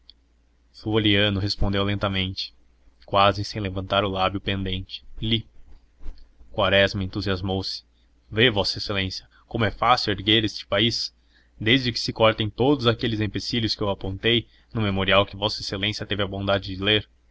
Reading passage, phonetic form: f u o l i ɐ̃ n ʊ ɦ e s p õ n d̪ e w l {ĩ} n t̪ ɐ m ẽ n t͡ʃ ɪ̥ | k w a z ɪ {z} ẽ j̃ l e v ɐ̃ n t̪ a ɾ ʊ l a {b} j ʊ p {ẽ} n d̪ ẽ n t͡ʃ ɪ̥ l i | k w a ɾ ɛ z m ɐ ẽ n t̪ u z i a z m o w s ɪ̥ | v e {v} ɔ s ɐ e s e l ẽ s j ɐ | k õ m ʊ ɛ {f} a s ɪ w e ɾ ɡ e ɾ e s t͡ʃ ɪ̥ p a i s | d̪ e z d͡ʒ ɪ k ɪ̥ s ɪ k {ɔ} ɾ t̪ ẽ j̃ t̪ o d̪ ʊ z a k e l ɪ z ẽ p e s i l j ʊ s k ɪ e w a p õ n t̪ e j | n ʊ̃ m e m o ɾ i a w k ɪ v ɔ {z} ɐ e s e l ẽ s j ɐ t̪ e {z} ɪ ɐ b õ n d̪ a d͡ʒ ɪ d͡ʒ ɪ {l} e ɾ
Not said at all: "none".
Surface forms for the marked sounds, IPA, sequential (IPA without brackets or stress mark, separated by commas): ẽ, s, b, ẽ, v, f, ɔ, s, v, l